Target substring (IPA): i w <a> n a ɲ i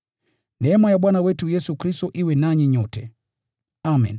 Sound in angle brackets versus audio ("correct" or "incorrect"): incorrect